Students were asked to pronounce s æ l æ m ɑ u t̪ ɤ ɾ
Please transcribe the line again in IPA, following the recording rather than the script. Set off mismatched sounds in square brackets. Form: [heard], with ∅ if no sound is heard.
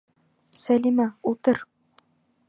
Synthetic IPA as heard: s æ l [i] m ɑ u t̪ ɤ ɾ